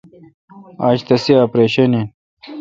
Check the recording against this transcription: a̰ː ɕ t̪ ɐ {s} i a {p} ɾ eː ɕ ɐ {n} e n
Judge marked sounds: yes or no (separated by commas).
yes, yes, yes